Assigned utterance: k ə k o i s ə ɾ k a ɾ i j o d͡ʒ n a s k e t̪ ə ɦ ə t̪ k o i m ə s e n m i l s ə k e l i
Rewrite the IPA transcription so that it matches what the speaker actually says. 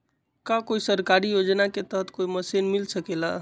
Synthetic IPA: k a k o i s ə ɾ k a ɾ i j o d͡ʒ n a k e t̪ ə ɦ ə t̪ k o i m ə s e n m i l s ə k e l a